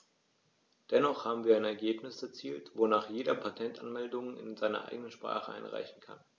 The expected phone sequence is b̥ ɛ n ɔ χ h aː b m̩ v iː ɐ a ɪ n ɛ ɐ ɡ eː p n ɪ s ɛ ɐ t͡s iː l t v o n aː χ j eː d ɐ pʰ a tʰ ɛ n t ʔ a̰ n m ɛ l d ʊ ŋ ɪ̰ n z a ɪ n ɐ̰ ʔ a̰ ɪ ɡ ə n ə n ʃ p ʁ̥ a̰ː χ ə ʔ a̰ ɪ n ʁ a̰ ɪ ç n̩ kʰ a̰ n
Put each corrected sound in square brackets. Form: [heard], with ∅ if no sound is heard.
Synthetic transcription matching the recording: [d̥] ɛ n ɔ χ h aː b m̩ v iː ɐ a ɪ n ɛ ɐ ɡ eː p n ɪ s ɛ ɐ t͡s iː l t v o n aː χ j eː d ɐ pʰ a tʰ ɛ n t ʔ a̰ n m ɛ l d ʊ ŋ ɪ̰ n z a ɪ n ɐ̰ ʔ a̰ ɪ ɡ ə n ə n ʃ p ʁ̥ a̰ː χ ə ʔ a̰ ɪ n ʁ a̰ ɪ ç n̩ kʰ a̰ n